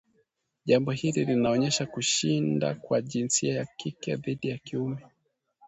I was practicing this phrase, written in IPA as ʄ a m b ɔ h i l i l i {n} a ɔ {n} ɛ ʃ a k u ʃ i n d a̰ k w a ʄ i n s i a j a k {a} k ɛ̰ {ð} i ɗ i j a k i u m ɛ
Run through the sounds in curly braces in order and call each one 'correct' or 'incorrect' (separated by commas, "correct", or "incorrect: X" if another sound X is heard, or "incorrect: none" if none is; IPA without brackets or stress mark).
correct, incorrect: ɲ, incorrect: i, correct